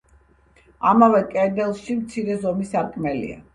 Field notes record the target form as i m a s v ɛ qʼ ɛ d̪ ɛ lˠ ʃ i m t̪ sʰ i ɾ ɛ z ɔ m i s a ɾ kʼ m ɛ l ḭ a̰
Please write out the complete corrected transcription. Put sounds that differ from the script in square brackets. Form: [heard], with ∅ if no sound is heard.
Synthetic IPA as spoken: [a] m a [∅] v ɛ [kʼ] ɛ d̪ ɛ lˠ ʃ i m t̪ sʰ i ɾ ɛ z ɔ m i s a ɾ kʼ m ɛ l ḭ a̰